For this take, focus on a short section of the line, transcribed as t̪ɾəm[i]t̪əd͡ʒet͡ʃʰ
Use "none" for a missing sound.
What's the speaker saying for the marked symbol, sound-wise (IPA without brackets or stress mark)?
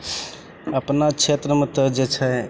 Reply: e